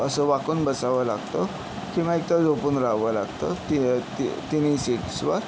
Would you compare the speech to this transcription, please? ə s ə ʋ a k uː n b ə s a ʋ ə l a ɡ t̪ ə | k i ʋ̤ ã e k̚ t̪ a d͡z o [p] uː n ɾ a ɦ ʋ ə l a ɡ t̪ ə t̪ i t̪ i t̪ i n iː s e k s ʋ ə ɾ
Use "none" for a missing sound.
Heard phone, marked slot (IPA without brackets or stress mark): p